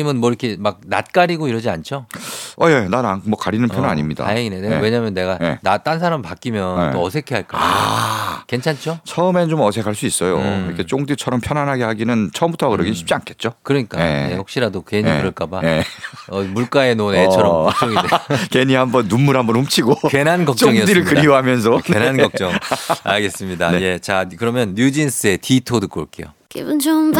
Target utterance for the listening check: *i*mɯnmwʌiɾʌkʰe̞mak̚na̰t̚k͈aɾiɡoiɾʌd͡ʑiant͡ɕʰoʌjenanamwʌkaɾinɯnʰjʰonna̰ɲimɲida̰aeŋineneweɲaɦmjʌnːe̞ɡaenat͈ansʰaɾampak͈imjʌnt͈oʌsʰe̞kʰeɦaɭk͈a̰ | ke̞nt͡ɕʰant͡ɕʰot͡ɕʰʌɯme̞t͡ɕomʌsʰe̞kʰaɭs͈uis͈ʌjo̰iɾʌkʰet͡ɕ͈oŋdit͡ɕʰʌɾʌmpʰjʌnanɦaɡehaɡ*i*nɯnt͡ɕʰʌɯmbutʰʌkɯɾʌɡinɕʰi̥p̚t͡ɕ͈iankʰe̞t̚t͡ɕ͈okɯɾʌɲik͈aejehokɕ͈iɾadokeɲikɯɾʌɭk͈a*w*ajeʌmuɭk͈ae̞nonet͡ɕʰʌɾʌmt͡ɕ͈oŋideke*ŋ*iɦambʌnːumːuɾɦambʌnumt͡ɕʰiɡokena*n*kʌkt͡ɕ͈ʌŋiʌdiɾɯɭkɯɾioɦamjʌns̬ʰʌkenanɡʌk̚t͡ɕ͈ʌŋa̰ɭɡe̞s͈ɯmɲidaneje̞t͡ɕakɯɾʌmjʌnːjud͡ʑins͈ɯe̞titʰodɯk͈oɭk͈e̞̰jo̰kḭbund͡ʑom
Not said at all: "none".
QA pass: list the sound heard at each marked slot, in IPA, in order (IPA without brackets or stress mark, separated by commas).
i, i, b, ɲ, n